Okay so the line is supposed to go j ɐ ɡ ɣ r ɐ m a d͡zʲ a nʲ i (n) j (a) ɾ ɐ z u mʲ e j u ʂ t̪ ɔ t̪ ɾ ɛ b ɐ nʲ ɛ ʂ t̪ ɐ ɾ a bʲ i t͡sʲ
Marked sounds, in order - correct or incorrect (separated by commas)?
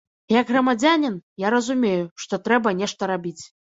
correct, correct